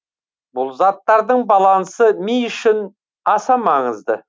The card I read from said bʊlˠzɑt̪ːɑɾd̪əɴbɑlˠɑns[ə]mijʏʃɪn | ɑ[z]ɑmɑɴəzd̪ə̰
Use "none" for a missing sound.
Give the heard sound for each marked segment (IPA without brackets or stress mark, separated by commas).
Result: ə, s